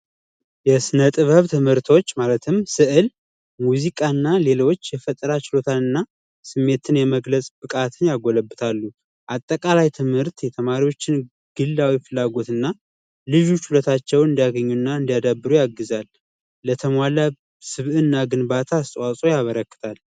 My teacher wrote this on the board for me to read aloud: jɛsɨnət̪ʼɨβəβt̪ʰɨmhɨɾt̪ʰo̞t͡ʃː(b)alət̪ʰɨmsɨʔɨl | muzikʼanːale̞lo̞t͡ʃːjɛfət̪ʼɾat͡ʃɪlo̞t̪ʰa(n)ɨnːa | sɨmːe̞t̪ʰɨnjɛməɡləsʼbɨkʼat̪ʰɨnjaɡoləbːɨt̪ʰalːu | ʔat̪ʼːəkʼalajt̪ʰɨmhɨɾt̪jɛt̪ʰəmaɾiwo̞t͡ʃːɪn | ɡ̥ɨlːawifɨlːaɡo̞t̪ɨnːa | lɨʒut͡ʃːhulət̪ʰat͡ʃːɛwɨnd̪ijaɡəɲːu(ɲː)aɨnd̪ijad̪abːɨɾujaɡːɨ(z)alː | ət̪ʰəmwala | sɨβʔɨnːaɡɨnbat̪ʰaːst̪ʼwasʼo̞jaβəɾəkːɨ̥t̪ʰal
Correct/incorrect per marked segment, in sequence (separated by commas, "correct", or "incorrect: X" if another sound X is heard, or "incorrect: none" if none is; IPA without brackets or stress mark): incorrect: m, correct, incorrect: nː, correct